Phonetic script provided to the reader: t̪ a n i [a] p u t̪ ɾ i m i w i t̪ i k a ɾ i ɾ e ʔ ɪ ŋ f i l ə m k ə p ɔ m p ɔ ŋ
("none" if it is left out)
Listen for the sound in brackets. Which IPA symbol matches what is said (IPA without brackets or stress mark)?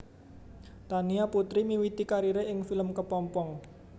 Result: a